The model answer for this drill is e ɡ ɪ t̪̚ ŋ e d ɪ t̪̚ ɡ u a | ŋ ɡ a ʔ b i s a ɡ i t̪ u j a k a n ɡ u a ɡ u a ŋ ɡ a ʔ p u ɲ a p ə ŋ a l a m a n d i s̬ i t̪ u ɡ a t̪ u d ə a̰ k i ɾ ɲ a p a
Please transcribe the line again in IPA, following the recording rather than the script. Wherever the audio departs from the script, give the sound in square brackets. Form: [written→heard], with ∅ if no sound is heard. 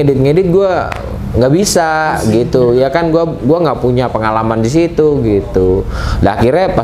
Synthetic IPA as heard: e [ɡ→d] ɪ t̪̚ ŋ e d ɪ t̪̚ ɡ u a | ŋ ɡ a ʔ b i s a ɡ i t̪ u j a k a n ɡ u a ɡ u a ŋ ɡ a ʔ p u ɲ a p ə ŋ a l a m a n d i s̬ i t̪ u ɡ [a→i] t̪ u d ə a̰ k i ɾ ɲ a p a